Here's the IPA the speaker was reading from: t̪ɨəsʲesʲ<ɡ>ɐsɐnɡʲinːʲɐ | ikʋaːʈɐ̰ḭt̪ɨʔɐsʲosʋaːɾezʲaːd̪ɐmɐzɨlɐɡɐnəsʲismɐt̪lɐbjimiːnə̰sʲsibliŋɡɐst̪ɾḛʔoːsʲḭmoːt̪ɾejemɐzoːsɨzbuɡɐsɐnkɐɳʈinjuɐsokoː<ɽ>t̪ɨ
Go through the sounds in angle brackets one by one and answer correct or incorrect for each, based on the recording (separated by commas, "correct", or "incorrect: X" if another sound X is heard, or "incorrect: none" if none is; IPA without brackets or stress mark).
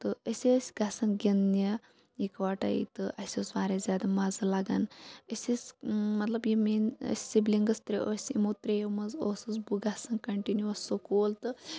correct, incorrect: l